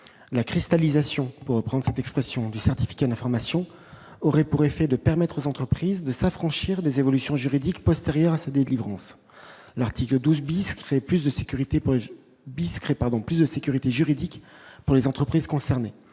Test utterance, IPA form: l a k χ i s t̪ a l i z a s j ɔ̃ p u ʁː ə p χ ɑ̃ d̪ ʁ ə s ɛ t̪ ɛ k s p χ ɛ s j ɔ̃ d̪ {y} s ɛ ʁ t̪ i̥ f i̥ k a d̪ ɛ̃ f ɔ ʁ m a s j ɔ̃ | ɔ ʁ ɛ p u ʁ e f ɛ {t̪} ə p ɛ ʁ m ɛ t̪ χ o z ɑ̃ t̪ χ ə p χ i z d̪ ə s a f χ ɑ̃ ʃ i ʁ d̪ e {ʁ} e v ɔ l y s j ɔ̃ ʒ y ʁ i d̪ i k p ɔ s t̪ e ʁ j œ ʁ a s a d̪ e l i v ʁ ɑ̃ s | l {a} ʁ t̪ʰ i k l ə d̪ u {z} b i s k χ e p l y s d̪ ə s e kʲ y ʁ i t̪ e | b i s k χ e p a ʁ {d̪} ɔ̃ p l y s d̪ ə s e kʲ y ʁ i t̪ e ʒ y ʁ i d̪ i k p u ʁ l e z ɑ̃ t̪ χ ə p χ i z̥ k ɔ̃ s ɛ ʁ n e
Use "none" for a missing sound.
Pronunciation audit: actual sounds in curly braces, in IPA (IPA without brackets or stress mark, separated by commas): y, d̪, z, a, z, d̪